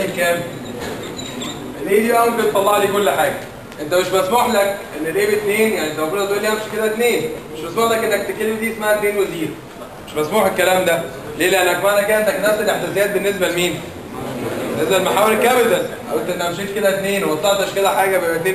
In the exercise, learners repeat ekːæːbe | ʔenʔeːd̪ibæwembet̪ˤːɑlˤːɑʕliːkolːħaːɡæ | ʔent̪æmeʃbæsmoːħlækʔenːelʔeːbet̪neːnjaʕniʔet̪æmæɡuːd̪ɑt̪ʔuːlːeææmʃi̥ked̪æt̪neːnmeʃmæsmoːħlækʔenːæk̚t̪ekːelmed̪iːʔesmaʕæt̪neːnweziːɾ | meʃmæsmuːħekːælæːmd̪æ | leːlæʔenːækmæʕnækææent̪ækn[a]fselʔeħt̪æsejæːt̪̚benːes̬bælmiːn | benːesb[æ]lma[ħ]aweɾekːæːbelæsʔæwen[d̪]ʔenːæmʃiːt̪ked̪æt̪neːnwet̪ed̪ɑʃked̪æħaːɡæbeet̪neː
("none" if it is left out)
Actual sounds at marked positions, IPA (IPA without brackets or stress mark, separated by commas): æ, æ, ħ, t̪